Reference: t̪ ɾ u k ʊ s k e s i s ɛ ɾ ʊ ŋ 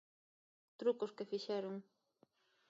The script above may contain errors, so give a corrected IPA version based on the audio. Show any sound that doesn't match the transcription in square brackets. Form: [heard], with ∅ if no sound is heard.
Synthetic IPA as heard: t̪ ɾ u k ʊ s k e [f] i [ʃ] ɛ ɾ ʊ ŋ